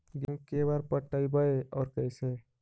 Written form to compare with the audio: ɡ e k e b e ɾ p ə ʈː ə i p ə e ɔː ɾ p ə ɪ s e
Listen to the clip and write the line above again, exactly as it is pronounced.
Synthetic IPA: ɡ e k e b a ɾ p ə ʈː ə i b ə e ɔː ɾ k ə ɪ s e